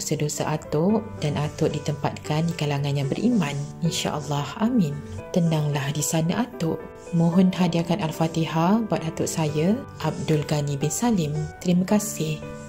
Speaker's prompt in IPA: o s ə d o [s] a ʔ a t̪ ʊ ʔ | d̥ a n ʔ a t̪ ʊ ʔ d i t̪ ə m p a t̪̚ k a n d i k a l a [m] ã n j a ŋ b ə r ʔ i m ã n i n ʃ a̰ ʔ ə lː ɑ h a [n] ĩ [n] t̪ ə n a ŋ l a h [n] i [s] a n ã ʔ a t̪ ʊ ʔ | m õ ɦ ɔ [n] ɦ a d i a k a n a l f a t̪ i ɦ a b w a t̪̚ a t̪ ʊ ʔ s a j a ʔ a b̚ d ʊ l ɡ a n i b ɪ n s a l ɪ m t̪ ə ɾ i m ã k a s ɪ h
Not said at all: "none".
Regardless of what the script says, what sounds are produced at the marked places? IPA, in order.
s, ŋ, m, n, d, s, n

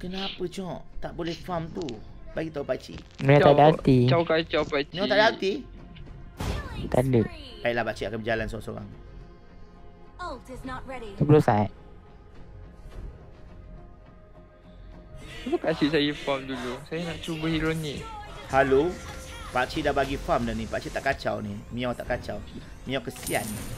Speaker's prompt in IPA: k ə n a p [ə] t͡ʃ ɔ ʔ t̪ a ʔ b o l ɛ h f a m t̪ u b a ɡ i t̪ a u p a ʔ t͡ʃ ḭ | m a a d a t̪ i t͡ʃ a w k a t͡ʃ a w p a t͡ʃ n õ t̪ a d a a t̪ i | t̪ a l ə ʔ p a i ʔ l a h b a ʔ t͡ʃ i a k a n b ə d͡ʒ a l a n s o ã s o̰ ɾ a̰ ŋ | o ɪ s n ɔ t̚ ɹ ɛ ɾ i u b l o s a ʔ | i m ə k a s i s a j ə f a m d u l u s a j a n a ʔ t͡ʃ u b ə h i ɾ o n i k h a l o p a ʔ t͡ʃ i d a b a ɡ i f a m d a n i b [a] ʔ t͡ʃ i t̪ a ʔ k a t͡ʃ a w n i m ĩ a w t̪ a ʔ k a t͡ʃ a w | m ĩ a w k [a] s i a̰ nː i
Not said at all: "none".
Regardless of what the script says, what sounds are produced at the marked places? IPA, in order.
ə, a, ə

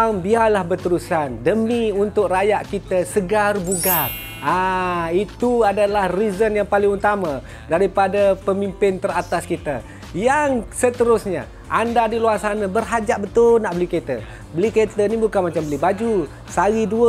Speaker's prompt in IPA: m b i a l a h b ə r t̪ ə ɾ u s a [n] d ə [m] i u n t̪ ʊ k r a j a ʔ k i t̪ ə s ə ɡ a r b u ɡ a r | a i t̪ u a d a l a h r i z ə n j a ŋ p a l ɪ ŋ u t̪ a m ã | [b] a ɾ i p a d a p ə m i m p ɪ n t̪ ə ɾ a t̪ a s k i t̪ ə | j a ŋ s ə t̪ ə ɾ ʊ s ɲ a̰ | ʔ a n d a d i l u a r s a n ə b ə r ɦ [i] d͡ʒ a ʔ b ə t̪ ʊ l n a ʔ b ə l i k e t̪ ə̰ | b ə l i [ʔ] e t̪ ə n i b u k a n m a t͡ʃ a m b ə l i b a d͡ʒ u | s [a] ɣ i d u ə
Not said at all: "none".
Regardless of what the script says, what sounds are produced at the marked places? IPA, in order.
n, m, d, a, k, a

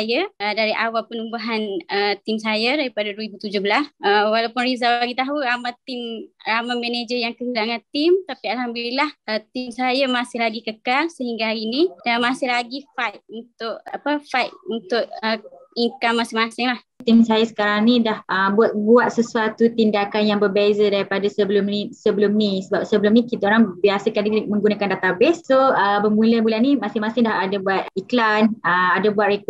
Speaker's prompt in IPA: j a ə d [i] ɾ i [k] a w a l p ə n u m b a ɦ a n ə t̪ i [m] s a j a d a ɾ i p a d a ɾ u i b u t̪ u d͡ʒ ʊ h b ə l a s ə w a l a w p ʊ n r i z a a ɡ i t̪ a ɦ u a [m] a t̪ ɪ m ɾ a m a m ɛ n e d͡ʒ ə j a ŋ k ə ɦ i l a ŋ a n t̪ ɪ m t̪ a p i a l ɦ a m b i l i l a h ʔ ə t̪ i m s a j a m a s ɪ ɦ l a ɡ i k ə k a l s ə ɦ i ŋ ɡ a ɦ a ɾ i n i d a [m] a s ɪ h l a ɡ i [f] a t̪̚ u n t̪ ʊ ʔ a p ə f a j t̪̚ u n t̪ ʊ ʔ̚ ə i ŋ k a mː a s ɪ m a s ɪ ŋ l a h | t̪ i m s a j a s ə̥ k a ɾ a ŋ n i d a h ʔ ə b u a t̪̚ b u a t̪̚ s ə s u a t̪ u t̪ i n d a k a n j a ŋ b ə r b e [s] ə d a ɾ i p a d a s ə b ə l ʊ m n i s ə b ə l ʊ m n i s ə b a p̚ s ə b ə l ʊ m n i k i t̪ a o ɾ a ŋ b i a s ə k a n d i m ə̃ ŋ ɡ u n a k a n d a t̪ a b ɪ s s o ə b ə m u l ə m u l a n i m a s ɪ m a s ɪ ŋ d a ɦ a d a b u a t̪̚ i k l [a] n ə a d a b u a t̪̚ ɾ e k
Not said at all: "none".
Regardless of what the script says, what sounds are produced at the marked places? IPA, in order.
a, ʔ, m, m, m, f, z, a

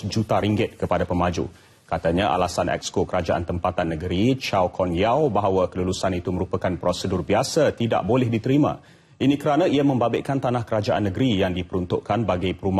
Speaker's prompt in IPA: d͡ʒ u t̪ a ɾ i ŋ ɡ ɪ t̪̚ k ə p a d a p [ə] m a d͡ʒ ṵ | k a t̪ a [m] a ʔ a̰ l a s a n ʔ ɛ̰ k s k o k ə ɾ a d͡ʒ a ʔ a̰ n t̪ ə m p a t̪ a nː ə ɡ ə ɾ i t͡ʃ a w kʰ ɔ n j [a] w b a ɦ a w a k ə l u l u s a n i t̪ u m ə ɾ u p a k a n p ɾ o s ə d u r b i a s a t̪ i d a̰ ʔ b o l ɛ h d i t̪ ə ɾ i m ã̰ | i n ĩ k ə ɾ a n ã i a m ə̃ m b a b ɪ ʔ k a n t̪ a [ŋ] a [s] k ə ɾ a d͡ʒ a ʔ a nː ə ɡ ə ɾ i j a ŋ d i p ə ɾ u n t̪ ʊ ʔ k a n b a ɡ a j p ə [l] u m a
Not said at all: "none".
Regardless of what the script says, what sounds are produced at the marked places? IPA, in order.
ə, ɲ, a, n, h, ɾ

